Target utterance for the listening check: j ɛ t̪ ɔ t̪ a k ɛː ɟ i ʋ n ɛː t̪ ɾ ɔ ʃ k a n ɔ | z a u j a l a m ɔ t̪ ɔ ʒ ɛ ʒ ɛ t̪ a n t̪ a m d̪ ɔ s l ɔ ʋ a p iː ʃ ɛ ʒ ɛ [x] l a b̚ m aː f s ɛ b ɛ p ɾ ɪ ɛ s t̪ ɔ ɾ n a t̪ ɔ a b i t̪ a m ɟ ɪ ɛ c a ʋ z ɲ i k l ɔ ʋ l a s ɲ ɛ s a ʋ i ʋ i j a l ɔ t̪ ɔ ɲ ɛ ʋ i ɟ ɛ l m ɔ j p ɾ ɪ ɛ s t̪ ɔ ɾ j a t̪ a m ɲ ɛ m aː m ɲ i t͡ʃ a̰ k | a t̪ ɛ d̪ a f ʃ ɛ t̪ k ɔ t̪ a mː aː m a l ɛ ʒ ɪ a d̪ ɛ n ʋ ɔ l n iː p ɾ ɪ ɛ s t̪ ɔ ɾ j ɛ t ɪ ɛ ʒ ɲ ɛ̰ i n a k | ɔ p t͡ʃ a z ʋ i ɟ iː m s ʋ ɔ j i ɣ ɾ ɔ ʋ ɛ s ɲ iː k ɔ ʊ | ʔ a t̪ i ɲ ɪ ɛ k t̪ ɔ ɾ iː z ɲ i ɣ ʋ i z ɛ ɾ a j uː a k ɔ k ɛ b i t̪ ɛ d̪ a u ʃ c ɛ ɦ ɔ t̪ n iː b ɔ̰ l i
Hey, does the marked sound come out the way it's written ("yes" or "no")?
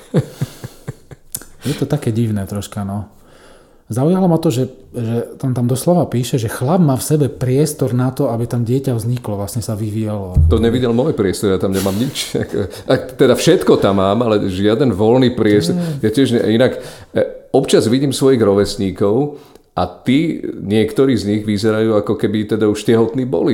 yes